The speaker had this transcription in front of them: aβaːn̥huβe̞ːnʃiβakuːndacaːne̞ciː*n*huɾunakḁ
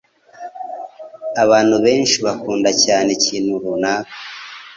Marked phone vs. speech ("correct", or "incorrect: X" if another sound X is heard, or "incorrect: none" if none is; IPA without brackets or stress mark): correct